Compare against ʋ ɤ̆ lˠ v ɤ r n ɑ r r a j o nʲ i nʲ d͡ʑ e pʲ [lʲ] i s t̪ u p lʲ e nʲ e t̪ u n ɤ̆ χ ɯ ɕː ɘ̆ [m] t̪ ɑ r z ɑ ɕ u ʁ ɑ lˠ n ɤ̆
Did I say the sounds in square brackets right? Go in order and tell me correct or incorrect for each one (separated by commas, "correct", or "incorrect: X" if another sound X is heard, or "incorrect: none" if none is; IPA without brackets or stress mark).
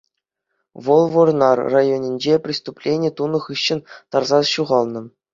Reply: incorrect: rʲ, incorrect: n